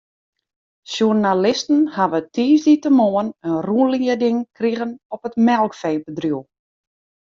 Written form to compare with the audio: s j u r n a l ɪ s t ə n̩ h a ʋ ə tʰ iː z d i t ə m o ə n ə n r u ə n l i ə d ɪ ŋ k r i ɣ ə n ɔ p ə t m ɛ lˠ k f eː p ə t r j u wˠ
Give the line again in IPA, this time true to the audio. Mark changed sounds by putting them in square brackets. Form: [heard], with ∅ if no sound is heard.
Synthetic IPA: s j u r n a l ɪ s t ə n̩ h a ʋ ə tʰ iː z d i t ə m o ə n ə n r u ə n l i ə d ɪ ŋ k r i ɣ ə n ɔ p ə t m ɛ lˠ k f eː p ə [d] r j u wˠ